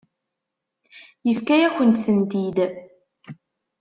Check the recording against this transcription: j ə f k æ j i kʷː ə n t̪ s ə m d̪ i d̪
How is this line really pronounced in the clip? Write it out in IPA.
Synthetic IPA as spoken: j ə f k æ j æ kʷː ə n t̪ θ ə n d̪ i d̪